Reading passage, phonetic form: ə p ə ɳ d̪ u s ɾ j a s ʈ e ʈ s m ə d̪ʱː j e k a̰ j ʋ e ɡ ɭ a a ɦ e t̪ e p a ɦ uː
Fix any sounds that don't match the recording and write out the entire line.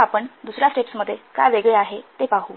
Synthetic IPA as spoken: a p ə ɳ d̪ u s ɾ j a s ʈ e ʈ s m ə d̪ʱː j e k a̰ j ʋ e ɡ ɭ e a ɦ e t̪ e p a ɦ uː

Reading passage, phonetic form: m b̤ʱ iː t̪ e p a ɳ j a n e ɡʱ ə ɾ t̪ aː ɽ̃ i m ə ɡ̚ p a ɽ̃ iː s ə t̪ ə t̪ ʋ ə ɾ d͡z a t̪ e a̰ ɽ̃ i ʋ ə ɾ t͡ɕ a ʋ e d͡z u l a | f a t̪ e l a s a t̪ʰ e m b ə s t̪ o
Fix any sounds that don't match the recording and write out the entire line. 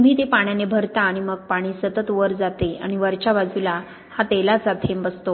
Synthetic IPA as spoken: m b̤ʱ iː t̪ e p a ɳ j a n e bʱ ə ɾ t̪ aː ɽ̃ i m ə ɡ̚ p a ɽ̃ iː s ə t̪ ə t̪ ʋ ə ɾ d͡z a t̪ e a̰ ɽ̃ i ʋ ə ɾ t͡ɕ a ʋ a d͡z u l a | h a t̪ e l a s a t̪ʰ e m b ə s t̪ o

